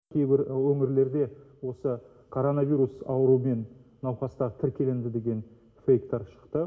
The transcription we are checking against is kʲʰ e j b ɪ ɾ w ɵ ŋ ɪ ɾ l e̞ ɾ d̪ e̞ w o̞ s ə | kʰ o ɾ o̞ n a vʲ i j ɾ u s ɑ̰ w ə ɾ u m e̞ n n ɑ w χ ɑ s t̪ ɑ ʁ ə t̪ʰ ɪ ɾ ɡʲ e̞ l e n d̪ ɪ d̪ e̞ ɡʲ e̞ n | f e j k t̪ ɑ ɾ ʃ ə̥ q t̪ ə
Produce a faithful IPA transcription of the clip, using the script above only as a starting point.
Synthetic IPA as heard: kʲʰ e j b ɪ ɾ w ɵ ŋ ɪ ɾ l e̞ ɾ d̪ e̞ w o̞ s ə | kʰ o ɾ o̞ n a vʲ i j ɾ u s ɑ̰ w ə ɾ u m e̞ n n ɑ w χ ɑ s t̪ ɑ ʁ ə t̪ʰ ɪ ɾ kʲ e̞ l e n d̪ ɪ d̪ e̞ ɡʲ e̞ n | f e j k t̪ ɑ ɾ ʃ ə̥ q t̪ ə